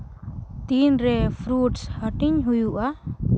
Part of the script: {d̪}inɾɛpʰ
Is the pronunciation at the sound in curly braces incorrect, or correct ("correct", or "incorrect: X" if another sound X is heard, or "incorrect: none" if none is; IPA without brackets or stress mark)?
incorrect: t̪